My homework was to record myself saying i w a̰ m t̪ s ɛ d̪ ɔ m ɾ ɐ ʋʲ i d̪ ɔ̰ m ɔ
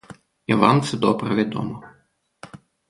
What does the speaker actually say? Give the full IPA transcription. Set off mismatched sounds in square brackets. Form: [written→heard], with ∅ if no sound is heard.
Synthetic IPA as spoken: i [w→ʋ] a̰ m t̪ s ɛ d̪ ɔ [m→b] ɾ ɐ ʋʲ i d̪ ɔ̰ m ɔ